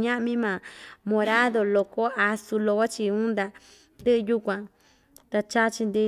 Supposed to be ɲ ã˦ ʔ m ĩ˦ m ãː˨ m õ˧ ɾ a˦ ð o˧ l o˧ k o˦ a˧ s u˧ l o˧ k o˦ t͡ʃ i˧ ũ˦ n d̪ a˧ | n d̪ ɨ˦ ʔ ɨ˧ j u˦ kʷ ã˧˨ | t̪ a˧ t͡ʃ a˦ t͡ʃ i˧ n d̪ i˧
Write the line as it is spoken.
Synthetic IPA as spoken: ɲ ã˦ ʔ m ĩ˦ m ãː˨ m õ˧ ɾ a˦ ð o˧ l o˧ k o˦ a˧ s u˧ l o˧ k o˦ t͡ʃ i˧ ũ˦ n d̪ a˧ | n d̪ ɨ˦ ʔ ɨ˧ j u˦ kʷ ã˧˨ | t̪ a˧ t͡ʃ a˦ t͡ʃ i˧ n d̪ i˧